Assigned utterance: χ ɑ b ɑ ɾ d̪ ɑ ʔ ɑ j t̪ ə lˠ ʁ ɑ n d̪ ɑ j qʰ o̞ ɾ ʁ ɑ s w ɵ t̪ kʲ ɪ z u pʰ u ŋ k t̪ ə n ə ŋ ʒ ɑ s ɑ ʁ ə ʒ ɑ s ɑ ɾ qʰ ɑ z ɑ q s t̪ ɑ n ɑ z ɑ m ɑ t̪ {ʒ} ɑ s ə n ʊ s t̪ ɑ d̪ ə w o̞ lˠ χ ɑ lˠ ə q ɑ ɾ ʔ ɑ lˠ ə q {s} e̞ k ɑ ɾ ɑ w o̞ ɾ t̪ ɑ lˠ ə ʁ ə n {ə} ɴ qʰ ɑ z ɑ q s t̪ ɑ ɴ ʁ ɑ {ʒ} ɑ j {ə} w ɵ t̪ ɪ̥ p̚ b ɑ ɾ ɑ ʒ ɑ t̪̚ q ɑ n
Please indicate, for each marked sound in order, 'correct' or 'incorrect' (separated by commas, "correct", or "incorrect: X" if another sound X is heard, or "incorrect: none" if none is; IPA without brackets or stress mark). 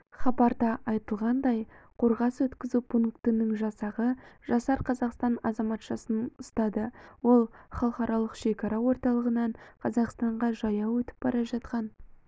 incorrect: ʃ, incorrect: ʃ, incorrect: ɑ, correct, incorrect: ɑ